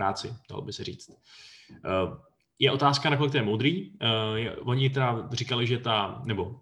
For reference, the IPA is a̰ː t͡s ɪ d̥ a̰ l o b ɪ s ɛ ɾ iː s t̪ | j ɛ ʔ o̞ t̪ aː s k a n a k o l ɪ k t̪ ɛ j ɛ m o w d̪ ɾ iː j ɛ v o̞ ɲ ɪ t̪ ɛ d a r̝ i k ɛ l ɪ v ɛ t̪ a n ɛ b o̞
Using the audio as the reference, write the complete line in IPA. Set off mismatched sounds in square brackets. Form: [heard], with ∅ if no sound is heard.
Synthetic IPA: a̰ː t͡s ɪ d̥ a̰ l o b ɪ s ɛ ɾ iː [t͡s] t̪ | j ɛ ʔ o̞ t̪ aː s k a n a k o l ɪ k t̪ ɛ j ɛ m o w d̪ ɾ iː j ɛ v o̞ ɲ ɪ t̪ ɛ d a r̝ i k [a] l ɪ [ʒ] ɛ t̪ a n ɛ b o̞